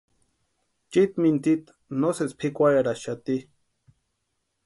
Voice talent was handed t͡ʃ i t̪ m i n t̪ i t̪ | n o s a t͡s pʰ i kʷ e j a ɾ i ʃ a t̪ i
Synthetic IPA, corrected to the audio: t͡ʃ i t̪ m i n t̪ i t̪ | n o s e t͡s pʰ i kʷ a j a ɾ a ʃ a t̪ i

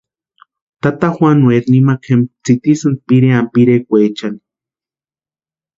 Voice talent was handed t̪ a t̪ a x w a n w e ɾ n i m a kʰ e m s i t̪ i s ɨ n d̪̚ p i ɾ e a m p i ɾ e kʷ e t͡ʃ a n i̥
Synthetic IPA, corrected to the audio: t̪ a t̪ a x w a n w e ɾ n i m a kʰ e m t͡s i t̪ i s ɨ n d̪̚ p i ɾ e a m p i ɾ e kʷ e t͡ʃ a n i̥

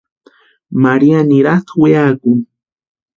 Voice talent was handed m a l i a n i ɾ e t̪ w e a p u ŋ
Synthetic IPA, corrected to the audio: m a ɾ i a n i ɾ a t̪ w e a k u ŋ

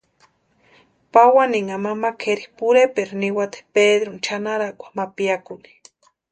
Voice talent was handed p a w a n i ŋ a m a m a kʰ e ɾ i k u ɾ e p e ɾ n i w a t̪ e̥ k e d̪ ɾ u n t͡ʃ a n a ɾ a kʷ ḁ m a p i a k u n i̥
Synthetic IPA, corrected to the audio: p a w a n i ŋ a m a m a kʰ e ɾ i p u ɾ e p e ɾ n i w a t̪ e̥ p e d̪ ɾ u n t͡ʃ a n a ɾ a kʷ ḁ m a p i a k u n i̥

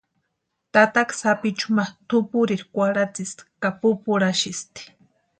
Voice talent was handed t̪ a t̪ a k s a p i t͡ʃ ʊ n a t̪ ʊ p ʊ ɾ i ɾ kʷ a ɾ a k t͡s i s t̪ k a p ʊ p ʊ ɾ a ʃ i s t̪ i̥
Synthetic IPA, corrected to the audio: t̪ a t̪ a k s a p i t͡ʃ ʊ m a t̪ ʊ p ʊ ɾ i ɾ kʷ a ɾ a t͡s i s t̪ k a p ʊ p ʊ ɾ a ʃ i s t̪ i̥

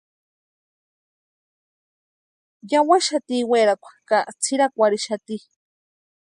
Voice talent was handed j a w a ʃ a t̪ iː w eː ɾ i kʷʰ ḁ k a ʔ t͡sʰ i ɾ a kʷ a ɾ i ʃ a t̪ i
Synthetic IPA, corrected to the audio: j a w a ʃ a t̪ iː w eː ɾ a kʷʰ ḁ k a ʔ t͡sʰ i ɾ a kʷ a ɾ i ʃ a t̪ i

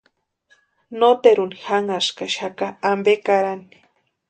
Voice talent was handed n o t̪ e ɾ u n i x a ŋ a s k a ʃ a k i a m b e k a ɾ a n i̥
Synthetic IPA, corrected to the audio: n o t̪ e ɾ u n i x a ŋ a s k a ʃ a k a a m b e k a ɾ a n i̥

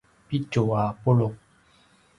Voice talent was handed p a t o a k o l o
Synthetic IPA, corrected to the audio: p i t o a p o l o

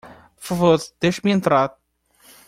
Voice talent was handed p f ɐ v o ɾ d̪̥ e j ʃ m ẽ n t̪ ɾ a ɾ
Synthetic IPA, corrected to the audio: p f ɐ v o ɾ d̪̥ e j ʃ m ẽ n t̪ ɾ a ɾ

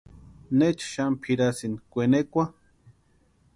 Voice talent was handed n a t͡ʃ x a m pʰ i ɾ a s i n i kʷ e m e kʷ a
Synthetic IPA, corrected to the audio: n e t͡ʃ ʃ a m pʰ i ɾ a s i n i kʷ e n e kʷ a

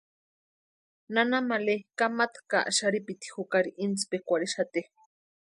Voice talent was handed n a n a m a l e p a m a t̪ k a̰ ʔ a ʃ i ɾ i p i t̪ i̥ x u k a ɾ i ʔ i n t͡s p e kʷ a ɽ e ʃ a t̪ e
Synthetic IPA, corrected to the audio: n a n a m a l e k a m a t̪ k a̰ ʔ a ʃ a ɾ i p i t̪ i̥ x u k a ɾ i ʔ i n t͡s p e kʷ a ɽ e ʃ a t̪ e

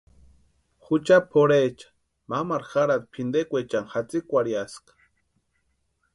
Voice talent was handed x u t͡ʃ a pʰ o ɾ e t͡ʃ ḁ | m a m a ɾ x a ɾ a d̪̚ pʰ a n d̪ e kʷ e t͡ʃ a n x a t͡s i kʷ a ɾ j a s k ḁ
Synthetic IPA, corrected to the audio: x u t͡ʃ a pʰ o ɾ e t͡ʃ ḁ | m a m a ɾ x a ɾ a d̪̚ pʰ i n d̪ e kʷ e t͡ʃ a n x a t͡s i kʷ a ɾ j a s k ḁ

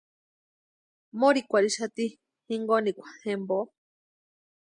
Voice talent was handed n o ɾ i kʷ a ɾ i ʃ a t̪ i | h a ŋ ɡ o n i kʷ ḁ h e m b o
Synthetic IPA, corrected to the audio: m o ɾ i kʷ a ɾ i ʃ a t̪ i | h i ŋ ɡ o n i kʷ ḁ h e m b o

